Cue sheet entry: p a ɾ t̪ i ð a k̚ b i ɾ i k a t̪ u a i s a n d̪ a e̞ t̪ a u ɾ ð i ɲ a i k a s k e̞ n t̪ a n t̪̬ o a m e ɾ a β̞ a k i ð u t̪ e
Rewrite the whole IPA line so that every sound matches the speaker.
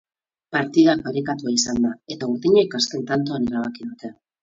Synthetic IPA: p a ɾ t̪ i ð a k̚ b a ɾ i k a t̪ u a i s a n d̪ a e̞ t̪ a u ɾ ð i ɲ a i k a s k e̞ n t̪ a n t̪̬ o a n e ɾ a β̞ a k i ð u t̪ e